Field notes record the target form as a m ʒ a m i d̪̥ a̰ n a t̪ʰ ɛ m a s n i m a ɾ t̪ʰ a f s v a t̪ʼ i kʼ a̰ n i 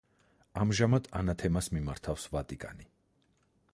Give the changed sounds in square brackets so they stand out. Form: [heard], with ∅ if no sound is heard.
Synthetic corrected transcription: a m ʒ a m [a] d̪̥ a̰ n a t̪ʰ ɛ m a s [m] i m a ɾ t̪ʰ a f s v a t̪ʼ i kʼ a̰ n i

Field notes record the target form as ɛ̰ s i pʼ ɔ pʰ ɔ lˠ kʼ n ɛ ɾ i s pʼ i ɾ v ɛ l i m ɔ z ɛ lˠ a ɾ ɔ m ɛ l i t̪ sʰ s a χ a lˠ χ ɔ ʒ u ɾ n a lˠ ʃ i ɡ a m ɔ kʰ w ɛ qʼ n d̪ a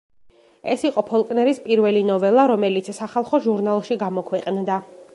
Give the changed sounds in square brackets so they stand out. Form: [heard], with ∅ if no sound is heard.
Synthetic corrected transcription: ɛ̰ s i [qʼ] ɔ pʰ ɔ lˠ kʼ n ɛ ɾ i s pʼ i ɾ v ɛ l i [n] ɔ [v] ɛ lˠ a ɾ ɔ m ɛ l i t̪ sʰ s a χ a lˠ χ ɔ ʒ u ɾ n a lˠ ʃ i ɡ a m ɔ kʰ w ɛ qʼ n d̪ a

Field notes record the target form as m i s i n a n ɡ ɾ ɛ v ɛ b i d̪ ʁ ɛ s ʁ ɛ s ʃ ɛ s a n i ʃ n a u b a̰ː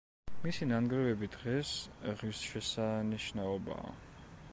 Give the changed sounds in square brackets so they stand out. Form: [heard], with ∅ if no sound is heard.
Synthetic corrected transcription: m i s i n a n ɡ ɾ ɛ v ɛ b i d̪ ʁ ɛ s ʁ [i] s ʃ ɛ s a n i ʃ n a [ɔ] b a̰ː

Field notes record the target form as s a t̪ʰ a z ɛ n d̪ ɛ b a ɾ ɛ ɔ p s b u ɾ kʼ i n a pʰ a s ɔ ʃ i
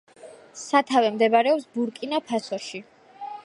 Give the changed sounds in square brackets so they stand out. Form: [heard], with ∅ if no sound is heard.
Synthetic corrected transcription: s a t̪ʰ a [v] ɛ [m] d̪ ɛ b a ɾ ɛ ɔ p s b u ɾ kʼ i n a pʰ a s ɔ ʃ i

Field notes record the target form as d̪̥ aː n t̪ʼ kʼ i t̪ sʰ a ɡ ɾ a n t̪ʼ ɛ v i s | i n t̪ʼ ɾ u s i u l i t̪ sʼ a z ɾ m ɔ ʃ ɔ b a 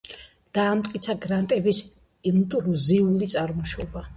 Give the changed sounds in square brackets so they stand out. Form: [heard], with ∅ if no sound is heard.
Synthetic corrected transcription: d̪̥ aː [m] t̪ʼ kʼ i t̪ sʰ a ɡ ɾ a n t̪ʼ ɛ [b] i s | i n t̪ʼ ɾ u [z] i u l i t̪ sʼ a [∅] ɾ m ɔ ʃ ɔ b a

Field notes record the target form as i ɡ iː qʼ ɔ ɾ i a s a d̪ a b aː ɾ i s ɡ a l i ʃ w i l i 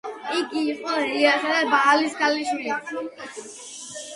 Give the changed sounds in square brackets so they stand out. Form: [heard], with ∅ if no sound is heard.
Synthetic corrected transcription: i ɡ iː qʼ ɔ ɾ i a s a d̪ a b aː [l] i s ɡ a l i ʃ w i l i

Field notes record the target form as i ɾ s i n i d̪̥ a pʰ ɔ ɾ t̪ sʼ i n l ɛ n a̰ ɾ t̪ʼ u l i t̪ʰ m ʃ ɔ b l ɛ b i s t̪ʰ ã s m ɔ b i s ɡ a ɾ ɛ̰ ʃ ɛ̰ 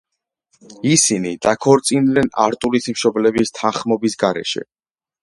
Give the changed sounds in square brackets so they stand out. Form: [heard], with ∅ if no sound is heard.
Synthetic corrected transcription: i [∅] s i n i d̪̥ a [kʰ] ɔ ɾ t̪ sʼ i n l ɛ n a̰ ɾ t̪ʼ u l i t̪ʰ m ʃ ɔ b l ɛ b i s t̪ʰ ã [χ] m ɔ b i s ɡ a ɾ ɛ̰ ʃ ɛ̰

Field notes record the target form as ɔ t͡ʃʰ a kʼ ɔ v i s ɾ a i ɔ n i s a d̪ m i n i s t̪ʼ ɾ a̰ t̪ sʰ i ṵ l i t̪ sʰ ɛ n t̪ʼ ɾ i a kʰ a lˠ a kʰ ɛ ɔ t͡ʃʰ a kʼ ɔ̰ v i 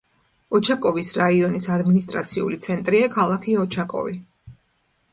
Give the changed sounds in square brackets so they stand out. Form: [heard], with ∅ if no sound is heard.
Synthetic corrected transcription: ɔ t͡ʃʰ a kʼ ɔ v i s ɾ a i ɔ n i s a d̪ m i n i s t̪ʼ ɾ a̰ t̪ sʰ i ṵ l i t̪ sʰ ɛ n t̪ʼ ɾ i a kʰ a lˠ a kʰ [i] ɔ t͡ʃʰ a kʼ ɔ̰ v i

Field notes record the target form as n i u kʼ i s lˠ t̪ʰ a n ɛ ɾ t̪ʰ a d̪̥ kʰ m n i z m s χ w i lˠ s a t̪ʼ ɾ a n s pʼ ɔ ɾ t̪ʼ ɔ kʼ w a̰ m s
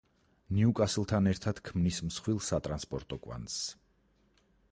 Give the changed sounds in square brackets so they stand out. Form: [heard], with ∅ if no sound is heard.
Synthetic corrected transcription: n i u kʼ [a] s lˠ t̪ʰ a n ɛ ɾ t̪ʰ a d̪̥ kʰ m n i [s] m s χ w i lˠ s a t̪ʼ ɾ a n s pʼ ɔ ɾ t̪ʼ ɔ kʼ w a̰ [n] s

